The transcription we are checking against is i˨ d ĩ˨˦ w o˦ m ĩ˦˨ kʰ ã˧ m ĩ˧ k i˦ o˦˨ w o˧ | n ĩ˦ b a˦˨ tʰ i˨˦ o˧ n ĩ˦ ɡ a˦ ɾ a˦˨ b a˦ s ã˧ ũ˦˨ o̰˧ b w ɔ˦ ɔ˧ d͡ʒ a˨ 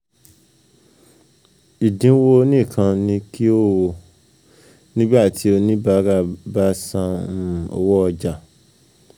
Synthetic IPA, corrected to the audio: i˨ d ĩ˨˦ w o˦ n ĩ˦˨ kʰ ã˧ n ĩ˧ k i˦ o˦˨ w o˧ | n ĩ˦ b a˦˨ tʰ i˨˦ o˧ n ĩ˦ b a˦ ɾ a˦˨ b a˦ s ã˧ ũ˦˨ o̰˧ w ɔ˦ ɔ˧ d͡ʒ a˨